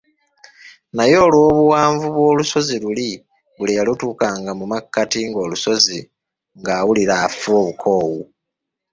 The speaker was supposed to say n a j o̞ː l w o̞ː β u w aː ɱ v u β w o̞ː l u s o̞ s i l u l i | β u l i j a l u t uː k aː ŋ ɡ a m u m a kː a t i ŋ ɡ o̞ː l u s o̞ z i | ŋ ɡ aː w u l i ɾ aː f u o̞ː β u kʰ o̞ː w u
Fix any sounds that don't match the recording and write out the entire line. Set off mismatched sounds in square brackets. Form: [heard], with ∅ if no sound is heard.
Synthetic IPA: n a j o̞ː l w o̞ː β u w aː ɱ v u β w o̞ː l u s o̞ [z] i l u l i | β u l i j a l u t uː k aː ŋ ɡ a m u m a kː a t i ŋ ɡ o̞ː l u s o̞ z i | ŋ ɡ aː w u l i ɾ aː f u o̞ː β u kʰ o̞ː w u